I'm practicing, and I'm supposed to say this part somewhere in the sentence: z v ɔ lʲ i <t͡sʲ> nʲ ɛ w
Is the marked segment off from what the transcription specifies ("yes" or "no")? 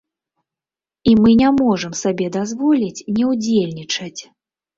no